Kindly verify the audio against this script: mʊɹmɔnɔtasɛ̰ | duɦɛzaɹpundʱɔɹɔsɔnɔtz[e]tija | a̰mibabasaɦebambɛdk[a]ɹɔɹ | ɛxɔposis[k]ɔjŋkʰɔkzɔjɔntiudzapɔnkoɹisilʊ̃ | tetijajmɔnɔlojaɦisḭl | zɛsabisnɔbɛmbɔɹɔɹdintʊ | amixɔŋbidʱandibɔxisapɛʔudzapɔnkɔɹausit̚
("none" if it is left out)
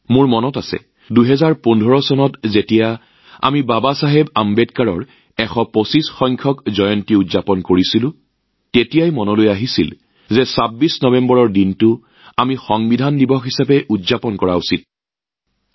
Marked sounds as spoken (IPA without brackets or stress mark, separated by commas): e, a, x